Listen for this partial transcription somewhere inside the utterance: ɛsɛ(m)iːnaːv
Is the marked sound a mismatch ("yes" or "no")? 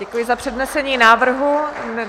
yes